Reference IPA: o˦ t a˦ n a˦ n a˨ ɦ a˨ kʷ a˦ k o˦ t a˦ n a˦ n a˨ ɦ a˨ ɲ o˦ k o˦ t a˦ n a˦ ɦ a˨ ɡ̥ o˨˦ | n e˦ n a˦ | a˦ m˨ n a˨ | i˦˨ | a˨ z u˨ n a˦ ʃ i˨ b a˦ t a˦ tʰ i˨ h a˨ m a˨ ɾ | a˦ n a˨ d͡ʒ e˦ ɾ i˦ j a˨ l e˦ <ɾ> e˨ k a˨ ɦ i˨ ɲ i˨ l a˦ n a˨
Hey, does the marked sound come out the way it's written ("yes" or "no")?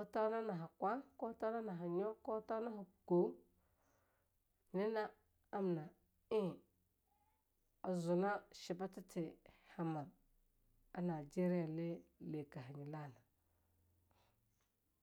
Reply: no